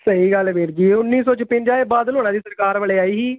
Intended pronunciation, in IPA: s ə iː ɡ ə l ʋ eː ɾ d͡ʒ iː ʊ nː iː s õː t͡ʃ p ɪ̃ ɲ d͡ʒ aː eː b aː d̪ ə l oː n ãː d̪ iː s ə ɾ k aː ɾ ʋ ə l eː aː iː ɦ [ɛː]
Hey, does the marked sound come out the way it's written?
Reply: no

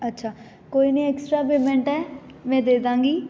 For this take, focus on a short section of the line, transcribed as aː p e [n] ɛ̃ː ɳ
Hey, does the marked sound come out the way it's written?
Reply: no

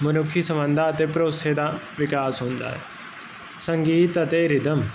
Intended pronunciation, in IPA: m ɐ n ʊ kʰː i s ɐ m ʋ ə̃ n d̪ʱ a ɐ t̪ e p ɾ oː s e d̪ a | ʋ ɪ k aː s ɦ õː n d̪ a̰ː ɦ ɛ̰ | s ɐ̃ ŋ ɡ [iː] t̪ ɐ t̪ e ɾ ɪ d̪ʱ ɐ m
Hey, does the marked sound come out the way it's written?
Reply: yes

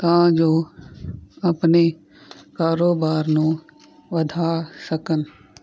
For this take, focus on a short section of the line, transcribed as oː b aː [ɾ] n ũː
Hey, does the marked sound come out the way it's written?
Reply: yes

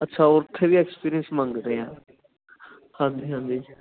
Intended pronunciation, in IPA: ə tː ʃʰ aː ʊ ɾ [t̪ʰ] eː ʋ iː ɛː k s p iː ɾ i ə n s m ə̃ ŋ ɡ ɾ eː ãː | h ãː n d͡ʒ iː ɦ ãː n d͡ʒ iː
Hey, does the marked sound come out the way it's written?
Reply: yes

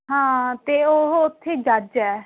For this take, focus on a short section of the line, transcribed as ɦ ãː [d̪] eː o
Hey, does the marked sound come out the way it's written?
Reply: no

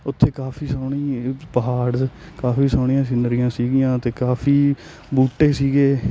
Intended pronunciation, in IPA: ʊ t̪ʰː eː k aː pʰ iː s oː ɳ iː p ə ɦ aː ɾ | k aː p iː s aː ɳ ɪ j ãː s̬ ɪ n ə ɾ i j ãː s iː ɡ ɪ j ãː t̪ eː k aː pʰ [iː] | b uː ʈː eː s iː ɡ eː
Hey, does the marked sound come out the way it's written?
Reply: yes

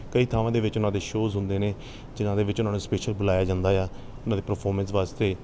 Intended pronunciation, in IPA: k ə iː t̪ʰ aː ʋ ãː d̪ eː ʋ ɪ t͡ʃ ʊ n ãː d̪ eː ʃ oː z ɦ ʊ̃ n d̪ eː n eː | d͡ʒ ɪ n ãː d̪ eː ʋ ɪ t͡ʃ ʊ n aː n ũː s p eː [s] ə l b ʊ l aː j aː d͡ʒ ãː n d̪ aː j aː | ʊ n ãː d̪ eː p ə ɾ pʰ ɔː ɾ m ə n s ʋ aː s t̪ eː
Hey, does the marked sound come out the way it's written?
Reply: no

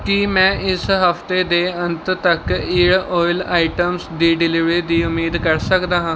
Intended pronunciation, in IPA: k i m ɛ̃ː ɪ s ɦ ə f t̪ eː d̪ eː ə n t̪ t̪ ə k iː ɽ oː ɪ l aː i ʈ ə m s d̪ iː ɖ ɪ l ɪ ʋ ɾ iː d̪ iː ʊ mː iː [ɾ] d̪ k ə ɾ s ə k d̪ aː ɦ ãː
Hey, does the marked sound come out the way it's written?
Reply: no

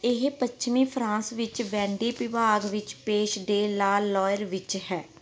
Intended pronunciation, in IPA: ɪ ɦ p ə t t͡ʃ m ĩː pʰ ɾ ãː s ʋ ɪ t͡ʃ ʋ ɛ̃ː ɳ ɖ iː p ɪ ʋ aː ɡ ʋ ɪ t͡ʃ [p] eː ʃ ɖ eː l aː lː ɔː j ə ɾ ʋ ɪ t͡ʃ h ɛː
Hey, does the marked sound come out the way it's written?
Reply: yes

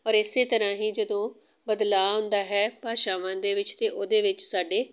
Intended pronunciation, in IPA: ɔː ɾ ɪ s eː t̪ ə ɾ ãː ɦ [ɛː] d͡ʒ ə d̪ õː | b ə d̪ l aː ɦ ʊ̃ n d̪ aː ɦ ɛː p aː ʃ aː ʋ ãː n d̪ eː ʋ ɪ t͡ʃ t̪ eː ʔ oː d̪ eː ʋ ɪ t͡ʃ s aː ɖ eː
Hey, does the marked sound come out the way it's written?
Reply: no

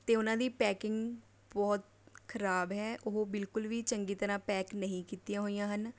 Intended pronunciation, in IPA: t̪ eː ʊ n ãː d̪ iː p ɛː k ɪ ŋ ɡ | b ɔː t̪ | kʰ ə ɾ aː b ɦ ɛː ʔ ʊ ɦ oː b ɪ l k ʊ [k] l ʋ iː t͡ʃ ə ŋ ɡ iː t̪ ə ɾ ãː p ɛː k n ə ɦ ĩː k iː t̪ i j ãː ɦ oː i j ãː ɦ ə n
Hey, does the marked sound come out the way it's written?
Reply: no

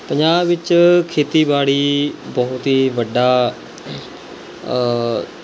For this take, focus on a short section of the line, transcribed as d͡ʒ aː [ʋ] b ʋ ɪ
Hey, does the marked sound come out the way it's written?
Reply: no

